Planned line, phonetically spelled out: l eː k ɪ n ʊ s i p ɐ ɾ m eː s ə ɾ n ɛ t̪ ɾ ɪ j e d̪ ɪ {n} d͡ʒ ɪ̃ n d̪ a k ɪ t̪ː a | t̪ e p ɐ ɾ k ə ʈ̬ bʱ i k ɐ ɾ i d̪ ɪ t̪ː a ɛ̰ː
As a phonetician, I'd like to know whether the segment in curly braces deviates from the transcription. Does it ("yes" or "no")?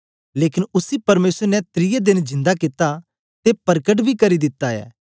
no